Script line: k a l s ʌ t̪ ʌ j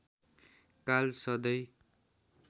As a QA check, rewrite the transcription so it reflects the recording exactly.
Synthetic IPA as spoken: k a l s ʌ d̪ ʌ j